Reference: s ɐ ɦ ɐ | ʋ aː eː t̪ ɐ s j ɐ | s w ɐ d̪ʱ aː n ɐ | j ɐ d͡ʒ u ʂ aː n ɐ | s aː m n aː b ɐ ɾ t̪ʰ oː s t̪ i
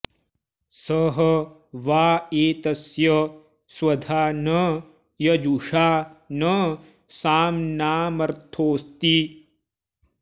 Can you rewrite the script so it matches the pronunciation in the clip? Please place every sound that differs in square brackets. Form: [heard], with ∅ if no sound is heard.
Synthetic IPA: s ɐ ɦ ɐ | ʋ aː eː t̪ ɐ s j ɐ | s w ɐ d̪ʱ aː n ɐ | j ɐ d͡ʒ u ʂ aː n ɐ | s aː m n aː [m] ɐ ɾ t̪ʰ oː s t̪ i

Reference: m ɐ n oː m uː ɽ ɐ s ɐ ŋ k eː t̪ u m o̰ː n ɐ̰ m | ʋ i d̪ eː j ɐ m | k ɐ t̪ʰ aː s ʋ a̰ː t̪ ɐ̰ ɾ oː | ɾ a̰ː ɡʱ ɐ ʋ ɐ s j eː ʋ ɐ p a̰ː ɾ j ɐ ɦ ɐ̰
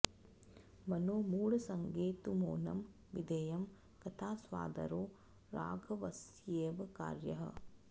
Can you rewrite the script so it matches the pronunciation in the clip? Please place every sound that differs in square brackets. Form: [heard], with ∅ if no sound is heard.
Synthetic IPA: m ɐ n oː m uː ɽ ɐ s ɐ ŋ [ɡ] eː t̪ u m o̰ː n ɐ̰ m | ʋ i d̪ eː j ɐ m | k ɐ t̪ʰ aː s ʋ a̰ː [d̪] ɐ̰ ɾ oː | ɾ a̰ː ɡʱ ɐ ʋ ɐ s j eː ʋ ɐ [k] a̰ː ɾ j ɐ ɦ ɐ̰

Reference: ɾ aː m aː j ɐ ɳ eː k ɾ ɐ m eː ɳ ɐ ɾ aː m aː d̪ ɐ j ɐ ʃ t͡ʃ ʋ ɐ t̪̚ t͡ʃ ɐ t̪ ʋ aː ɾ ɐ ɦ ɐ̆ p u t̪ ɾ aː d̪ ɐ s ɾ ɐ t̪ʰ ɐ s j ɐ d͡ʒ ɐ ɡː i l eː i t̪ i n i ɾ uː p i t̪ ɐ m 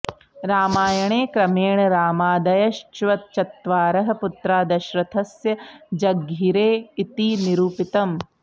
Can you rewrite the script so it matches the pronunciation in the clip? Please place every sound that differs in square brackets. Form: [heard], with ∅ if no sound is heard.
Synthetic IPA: ɾ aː m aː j ɐ ɳ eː k ɾ ɐ m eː ɳ ɐ ɾ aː m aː d̪ ɐ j ɐ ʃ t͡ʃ ʋ ɐ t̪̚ t͡ʃ ɐ t̪ ʋ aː ɾ ɐ ɦ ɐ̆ p u t̪ ɾ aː d̪ ɐ [ʃ] ɾ ɐ t̪ʰ ɐ s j ɐ d͡ʒ ɐ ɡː i [ɾ] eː i t̪ i n i ɾ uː p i t̪ ɐ m

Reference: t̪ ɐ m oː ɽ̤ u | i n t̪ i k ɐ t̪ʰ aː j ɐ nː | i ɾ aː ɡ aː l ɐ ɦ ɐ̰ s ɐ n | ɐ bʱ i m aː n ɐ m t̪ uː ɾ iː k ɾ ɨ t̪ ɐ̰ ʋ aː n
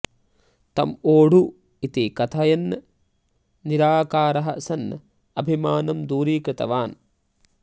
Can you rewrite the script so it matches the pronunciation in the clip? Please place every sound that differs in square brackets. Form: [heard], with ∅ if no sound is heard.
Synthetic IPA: t̪ ɐ m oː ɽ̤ u | i [∅] t̪ i k ɐ t̪ʰ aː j ɐ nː | i ɾ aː [k] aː [ɾ] ɐ ɦ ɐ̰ s ɐ n | ɐ bʱ i m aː n ɐ m [d̪] uː ɾ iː k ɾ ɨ t̪ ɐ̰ ʋ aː n

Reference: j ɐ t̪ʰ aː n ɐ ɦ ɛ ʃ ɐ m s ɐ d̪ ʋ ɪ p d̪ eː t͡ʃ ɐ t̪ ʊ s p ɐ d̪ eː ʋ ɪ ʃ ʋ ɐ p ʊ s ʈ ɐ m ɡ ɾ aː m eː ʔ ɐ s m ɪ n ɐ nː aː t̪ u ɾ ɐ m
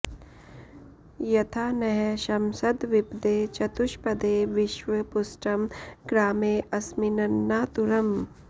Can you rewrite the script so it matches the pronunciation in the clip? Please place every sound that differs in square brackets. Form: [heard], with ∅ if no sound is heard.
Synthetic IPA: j ɐ t̪ʰ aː n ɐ ɦ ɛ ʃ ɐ m s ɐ d̪ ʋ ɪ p d̪ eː t͡ʃ ɐ t̪ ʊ [ʃ] p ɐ d̪ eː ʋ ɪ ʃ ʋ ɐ p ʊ s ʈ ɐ m ɡ ɾ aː m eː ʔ ɐ s m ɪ n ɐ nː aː t̪ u ɾ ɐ m

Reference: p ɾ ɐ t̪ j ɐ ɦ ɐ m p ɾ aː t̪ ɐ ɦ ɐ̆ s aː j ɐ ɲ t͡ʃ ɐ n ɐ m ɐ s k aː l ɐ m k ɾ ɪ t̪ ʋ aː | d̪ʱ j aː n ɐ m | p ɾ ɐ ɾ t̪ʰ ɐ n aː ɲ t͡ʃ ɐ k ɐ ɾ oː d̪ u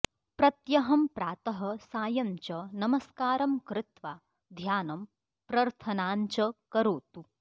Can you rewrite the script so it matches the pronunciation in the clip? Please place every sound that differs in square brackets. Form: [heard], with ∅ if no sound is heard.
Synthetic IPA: p ɾ ɐ t̪ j ɐ ɦ ɐ m p ɾ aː t̪ ɐ ɦ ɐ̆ s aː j ɐ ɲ t͡ʃ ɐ n ɐ m ɐ s k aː [ɾ] ɐ m k ɾ ɪ t̪ ʋ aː | d̪ʱ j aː n ɐ m | p ɾ ɐ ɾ t̪ʰ ɐ n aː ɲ t͡ʃ ɐ k ɐ ɾ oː [t̪] u

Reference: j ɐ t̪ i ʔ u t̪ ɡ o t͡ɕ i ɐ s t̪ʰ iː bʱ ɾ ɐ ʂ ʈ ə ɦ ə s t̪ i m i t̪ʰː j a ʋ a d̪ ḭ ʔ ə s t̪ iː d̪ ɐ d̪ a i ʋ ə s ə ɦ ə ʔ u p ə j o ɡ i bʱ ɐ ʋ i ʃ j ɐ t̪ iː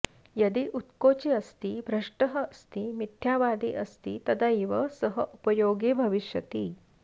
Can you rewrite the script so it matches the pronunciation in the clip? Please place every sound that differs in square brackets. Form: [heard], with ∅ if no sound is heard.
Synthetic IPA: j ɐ [d̪] i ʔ u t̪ [k] o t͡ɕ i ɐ s [t̪] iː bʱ ɾ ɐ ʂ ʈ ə ɦ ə s t̪ i m i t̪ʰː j a ʋ a d̪ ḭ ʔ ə s t̪ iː [t̪] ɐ d̪ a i ʋ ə s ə ɦ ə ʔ u p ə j o ɡ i bʱ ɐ ʋ i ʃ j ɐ t̪ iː

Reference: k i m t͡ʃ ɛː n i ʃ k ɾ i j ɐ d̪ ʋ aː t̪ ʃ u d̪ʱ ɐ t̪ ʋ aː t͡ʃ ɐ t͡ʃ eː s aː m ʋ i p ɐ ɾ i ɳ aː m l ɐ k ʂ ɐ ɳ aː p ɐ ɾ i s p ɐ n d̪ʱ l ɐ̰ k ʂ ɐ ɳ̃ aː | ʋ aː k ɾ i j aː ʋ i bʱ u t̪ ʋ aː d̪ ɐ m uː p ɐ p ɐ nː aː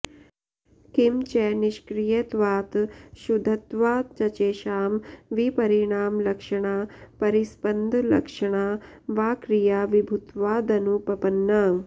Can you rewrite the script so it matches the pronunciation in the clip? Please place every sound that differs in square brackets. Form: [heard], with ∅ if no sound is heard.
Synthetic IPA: k i m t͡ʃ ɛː n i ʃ k ɾ i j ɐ [t̪] ʋ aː t̪ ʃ u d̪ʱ ɐ t̪ ʋ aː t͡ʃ ɐ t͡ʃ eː [ʃ] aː m ʋ i p ɐ ɾ i ɳ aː m l ɐ k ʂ ɐ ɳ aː p ɐ ɾ i s p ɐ n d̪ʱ l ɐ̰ k ʂ ɐ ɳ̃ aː | ʋ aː k ɾ i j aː ʋ i bʱ u t̪ ʋ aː d̪ ɐ [n] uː p ɐ p ɐ nː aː

